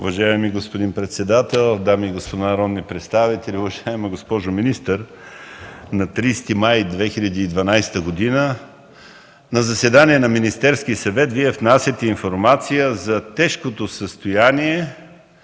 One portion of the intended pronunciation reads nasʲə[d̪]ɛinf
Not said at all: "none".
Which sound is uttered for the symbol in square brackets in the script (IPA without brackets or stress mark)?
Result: t̪